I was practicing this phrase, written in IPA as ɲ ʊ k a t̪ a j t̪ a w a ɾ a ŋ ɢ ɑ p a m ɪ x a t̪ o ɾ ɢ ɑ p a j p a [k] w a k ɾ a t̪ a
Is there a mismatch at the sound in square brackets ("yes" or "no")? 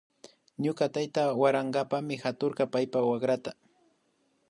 yes